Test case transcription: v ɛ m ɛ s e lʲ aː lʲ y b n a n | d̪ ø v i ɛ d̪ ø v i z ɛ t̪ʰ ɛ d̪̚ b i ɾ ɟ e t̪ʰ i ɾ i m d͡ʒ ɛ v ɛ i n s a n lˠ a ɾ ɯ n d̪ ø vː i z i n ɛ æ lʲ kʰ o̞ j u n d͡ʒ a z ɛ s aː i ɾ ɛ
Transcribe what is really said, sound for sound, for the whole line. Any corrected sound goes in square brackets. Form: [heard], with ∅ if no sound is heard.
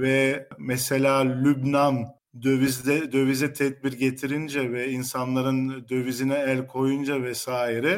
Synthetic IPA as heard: v ɛ m ɛ s e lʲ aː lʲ y b n a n | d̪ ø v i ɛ d̪ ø v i z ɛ t̪ʰ ɛ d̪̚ b i ɾ ɟ e t̪ʰ i ɾ i [n] d͡ʒ ɛ v ɛ i n s a n lˠ a ɾ ɯ n d̪ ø [v] i z i n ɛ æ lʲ kʰ o̞ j u n d͡ʒ a [v] ɛ s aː i ɾ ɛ